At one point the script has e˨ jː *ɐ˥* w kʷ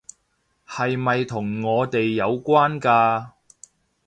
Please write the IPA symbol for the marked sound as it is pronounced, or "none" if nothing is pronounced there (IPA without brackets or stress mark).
ɐ˨˧